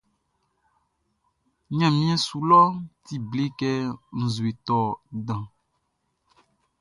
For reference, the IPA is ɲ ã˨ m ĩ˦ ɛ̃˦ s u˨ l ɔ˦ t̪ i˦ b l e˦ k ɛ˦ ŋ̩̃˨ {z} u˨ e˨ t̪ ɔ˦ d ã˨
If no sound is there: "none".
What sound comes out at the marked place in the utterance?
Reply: z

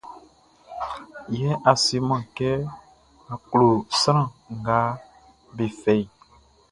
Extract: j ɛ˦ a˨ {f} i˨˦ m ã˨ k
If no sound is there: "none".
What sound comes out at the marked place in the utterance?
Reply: s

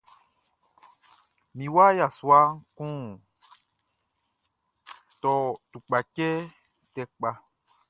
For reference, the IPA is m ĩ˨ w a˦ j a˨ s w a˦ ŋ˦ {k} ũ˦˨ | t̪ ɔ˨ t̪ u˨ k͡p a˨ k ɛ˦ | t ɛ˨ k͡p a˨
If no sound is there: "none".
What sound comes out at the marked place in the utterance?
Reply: k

